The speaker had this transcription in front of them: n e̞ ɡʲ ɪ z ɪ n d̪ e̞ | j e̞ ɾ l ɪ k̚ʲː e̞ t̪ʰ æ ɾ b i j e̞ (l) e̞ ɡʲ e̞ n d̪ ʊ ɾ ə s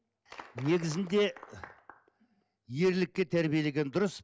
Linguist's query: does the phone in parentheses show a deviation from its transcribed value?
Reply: no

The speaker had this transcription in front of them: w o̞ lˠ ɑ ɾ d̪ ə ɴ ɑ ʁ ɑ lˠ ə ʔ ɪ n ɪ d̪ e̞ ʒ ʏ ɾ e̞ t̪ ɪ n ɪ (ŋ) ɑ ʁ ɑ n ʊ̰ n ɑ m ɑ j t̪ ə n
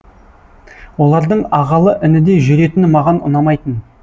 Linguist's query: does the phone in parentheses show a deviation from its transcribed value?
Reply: yes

